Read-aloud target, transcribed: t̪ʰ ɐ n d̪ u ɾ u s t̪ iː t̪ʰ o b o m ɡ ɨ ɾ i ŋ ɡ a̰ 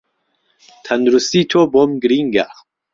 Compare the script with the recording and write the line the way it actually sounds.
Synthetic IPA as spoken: t̪ʰ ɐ n d̪ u ɾ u s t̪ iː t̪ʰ o b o m ɡ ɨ ɾ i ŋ ɡ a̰